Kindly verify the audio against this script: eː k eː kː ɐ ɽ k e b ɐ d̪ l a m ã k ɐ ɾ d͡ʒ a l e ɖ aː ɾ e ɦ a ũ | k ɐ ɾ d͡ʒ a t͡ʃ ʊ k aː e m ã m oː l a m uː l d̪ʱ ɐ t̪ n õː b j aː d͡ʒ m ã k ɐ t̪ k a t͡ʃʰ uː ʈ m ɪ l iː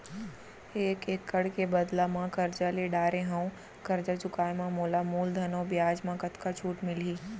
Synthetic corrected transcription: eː k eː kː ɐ ɽ k e b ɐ d̪ l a m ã k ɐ ɾ d͡ʒ a l e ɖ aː ɾ e ɦ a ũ | k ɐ ɾ d͡ʒ a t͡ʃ ʊ k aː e m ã m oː l a m uː l d̪ʱ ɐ n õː b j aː d͡ʒ m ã k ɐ t̪ k a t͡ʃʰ uː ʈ m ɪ l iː